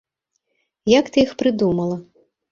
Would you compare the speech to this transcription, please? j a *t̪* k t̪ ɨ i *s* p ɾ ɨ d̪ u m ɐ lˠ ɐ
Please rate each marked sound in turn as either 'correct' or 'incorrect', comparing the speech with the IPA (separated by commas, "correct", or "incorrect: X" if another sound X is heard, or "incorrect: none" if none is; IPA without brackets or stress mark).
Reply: incorrect: none, incorrect: x